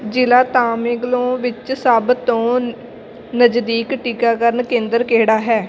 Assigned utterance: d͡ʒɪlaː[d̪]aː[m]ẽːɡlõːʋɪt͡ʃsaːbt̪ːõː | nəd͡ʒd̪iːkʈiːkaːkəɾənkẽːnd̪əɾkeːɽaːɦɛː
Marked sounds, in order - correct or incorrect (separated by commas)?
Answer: incorrect, correct